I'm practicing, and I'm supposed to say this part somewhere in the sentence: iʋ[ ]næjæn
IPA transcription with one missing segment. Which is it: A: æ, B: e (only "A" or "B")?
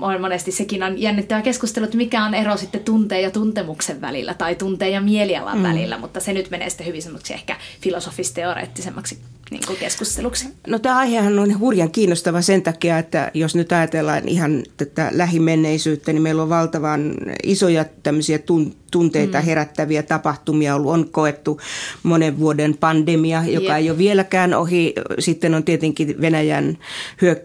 B